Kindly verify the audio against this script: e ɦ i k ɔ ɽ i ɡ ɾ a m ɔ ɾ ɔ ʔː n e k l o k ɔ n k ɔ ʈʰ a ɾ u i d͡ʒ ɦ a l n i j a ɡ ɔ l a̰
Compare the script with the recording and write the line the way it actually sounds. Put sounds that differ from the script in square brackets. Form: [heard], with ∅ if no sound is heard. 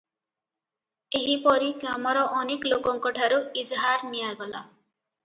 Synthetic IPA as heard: e ɦ i [p] ɔ [ɾ] i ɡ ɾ a m ɔ ɾ ɔ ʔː n e k l o k ɔ [ŋ] k ɔ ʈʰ a ɾ u i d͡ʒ ɦ a [ɾ] n i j a ɡ ɔ l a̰

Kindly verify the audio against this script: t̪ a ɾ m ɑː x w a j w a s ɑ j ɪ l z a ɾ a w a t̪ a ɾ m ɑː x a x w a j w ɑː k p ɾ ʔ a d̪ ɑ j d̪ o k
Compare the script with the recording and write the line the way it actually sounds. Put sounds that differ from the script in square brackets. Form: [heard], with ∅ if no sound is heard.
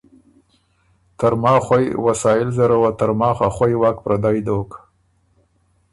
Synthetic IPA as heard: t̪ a ɾ m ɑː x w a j w a s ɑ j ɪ l z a ɾ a w a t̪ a ɾ m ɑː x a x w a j w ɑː k p ɾ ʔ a d̪ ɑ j d̪ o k

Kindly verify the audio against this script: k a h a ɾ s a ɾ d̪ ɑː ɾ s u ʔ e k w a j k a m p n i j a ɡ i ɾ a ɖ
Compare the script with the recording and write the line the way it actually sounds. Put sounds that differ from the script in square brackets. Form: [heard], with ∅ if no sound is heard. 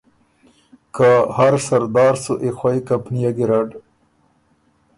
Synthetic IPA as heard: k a h a ɾ s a ɾ d̪ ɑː ɾ s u ʔ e [x] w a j k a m p n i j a ɡ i ɾ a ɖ

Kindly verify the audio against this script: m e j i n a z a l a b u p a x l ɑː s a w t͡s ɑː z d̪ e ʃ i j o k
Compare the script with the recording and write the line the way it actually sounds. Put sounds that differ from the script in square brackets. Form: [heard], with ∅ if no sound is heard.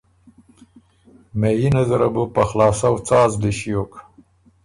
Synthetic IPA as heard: m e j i n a z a [ɾ] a b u p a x l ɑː s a w t͡s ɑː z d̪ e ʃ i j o k

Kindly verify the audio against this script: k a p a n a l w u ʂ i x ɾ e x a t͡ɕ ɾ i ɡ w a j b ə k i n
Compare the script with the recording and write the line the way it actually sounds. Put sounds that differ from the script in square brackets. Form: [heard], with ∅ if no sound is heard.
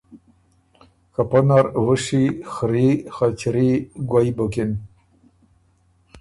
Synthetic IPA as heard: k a p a n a [ɾ] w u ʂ i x ɾ [i] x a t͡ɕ ɾ i ɡ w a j b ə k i n

